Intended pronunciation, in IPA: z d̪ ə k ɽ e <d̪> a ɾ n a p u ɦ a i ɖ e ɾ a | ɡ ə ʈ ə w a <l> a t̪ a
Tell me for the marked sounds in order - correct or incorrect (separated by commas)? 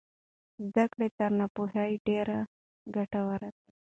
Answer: incorrect, incorrect